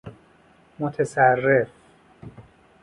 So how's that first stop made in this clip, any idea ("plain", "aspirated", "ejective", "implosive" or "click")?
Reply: aspirated